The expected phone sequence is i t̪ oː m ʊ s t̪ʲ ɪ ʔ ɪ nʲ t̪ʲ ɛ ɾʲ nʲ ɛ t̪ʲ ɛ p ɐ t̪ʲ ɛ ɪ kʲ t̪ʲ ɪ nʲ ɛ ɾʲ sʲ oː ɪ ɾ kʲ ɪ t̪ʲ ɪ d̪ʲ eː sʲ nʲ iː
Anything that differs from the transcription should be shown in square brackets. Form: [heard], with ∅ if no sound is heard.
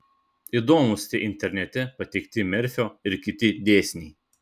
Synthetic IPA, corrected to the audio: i [d̪] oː m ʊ s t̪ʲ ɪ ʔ ɪ nʲ t̪ʲ ɛ ɾʲ nʲ ɛ t̪ʲ ɛ p ɐ t̪ʲ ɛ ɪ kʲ t̪ʲ ɪ [mʲ] ɛ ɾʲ [fʲ] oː ɪ ɾ kʲ ɪ t̪ʲ ɪ d̪ʲ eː sʲ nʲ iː